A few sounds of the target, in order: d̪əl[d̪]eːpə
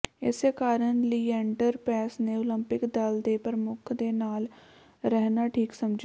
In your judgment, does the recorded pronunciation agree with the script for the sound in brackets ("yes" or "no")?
yes